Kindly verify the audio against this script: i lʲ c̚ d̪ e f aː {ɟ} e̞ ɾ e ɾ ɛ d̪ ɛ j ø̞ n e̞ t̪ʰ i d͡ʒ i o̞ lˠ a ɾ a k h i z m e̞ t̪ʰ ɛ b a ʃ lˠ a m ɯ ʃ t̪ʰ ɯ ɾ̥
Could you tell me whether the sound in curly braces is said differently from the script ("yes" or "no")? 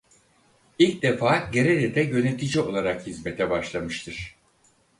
no